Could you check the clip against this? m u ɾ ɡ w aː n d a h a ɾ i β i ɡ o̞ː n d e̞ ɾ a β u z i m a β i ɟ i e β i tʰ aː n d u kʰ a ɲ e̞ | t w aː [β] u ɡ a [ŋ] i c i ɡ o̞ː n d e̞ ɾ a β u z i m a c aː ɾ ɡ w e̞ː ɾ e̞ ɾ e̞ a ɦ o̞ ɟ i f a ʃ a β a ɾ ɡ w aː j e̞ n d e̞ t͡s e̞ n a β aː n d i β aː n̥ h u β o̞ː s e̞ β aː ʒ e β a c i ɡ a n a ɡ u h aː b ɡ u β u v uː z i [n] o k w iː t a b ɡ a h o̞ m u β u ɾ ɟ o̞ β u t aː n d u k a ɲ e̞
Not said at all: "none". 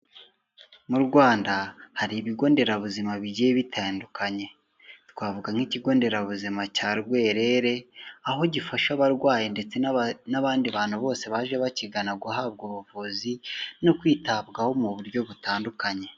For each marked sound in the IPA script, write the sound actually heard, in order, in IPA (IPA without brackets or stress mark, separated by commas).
v, ŋ, n